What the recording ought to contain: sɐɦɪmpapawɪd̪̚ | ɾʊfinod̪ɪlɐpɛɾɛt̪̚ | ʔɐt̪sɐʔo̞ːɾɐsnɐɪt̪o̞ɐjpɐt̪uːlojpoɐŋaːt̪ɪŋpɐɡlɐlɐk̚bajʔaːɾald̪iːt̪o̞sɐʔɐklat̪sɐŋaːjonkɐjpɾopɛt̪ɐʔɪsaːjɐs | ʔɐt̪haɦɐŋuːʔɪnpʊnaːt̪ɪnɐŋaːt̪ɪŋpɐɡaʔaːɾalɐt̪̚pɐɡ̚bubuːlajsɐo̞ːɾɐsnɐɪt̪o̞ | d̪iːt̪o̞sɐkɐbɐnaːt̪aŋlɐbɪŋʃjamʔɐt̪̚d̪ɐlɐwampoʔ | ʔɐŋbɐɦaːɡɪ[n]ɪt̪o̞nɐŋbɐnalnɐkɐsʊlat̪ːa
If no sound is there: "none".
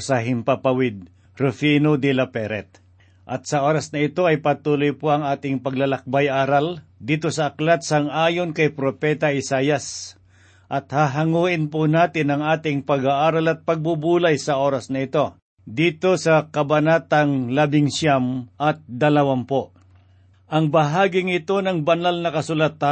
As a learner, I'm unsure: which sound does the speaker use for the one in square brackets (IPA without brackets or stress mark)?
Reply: ŋ